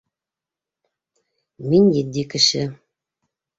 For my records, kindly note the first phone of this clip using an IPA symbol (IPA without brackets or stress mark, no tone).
m